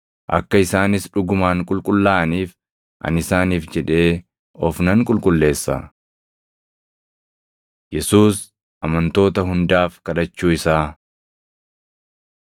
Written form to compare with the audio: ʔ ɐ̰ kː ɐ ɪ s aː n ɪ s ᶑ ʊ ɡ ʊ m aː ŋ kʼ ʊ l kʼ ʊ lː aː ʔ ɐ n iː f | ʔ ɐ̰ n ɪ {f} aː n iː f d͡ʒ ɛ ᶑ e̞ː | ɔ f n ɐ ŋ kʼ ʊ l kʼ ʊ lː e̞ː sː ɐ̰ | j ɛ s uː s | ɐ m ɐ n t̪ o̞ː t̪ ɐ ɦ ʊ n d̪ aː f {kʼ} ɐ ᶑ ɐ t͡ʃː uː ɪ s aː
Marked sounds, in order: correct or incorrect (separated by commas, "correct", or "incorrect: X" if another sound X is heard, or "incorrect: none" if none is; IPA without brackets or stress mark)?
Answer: incorrect: s, incorrect: k